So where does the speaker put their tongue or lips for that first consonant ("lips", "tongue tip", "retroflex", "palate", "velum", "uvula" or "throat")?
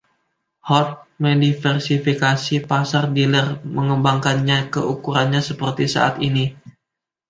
throat